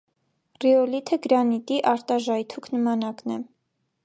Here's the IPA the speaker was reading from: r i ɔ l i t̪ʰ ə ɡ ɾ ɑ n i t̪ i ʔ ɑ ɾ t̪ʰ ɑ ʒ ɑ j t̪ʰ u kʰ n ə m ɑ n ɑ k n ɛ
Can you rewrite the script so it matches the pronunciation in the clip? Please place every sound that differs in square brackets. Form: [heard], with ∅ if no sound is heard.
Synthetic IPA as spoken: r i ɔ l i t̪ʰ ə ɡ ɾ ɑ n i t̪ i ʔ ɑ ɾ [t̪] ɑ ʒ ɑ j t̪ʰ u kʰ n ə m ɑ n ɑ k n ɛ